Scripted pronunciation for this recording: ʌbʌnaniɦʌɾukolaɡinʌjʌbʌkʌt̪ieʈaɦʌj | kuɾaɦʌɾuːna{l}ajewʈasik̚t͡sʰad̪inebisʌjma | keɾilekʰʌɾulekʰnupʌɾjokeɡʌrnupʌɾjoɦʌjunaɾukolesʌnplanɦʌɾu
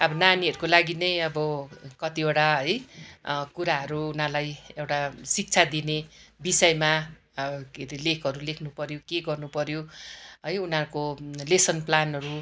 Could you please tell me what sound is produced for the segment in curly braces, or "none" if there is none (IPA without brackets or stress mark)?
l